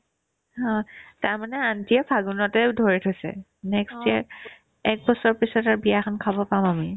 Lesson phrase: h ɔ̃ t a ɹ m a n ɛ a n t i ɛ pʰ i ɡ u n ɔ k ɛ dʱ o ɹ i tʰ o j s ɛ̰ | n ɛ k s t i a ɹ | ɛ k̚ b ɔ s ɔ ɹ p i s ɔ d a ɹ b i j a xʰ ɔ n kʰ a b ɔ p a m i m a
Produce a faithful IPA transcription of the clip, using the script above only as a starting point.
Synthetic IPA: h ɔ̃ t a ɹ m a n ɛ a n t i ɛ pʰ a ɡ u n ɔ t ɛ dʱ o ɹ i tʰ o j s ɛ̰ | n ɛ k s t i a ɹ | ɛ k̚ b ɔ s ɔ ɹ p i s ɔ t a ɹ b i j a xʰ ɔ n kʰ a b ɔ p a m a m i